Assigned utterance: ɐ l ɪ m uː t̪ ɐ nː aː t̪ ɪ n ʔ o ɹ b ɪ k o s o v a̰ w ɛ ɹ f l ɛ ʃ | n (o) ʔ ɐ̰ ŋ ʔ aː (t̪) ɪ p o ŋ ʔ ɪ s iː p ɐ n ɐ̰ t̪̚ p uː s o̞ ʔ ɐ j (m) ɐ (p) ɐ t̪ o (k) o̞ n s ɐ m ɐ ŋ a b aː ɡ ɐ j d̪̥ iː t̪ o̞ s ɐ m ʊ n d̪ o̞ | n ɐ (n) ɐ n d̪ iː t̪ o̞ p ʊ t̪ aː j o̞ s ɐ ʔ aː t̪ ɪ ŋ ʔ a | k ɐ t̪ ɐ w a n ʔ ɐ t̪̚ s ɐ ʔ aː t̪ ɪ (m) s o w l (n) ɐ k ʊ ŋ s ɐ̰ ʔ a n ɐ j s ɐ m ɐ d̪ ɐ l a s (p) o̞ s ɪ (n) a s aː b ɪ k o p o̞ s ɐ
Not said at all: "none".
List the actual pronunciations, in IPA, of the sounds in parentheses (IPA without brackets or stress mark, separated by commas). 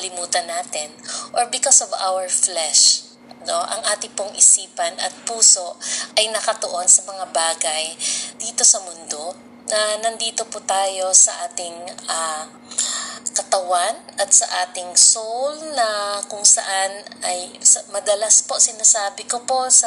o, t̪, n, k, ʔ, n, ŋ, n, p, n